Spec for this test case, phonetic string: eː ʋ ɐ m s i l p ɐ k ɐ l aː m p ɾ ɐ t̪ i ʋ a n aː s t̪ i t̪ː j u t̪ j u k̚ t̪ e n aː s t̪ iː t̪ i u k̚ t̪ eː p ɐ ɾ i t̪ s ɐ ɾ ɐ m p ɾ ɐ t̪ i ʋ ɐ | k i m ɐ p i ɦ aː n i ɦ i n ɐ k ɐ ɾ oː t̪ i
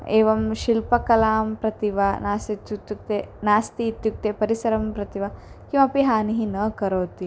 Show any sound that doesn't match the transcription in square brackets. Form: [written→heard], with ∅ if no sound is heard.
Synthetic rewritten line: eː ʋ ɐ m [s→ʃ] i l p ɐ k ɐ l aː m p ɾ ɐ t̪ i ʋ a n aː s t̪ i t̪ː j u t̪ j u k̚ t̪ e n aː s t̪ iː t̪ [i→j] u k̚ t̪ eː p ɐ ɾ i [t̪→∅] s ɐ ɾ ɐ m p ɾ ɐ t̪ i ʋ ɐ | k i m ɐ p i ɦ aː n i ɦ i n ɐ k ɐ ɾ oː t̪ i